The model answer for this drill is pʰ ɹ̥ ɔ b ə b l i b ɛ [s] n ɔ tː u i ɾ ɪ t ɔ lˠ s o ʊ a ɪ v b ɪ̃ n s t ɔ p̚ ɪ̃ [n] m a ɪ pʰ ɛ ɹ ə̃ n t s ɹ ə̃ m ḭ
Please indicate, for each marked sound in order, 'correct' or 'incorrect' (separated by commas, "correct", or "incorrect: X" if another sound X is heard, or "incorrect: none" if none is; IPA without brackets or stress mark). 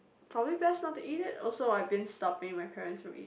correct, incorrect: ŋ